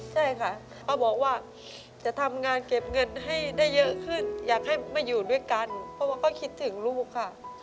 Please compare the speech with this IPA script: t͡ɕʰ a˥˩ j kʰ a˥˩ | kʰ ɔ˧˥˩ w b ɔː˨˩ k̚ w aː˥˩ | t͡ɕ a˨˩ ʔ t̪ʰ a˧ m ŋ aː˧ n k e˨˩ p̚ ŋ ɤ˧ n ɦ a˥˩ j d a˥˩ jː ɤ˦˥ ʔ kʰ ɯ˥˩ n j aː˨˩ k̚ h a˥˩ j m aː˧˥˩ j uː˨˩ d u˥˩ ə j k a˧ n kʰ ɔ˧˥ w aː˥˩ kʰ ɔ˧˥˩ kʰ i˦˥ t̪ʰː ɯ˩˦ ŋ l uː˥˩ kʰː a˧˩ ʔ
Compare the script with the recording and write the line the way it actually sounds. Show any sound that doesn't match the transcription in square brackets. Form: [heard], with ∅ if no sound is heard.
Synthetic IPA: t͡ɕʰ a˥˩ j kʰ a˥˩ | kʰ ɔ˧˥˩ w b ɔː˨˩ k̚ w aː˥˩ | t͡ɕ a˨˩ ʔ t̪ʰ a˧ m ŋ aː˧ n k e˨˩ p̚ ŋ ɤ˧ n ɦ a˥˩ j d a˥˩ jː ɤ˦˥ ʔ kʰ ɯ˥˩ n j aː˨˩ k̚ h a˥˩ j m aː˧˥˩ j uː˨˩ d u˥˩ ə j k a˧ n [pʰ] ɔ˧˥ w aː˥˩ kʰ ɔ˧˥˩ kʰ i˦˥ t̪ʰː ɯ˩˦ ŋ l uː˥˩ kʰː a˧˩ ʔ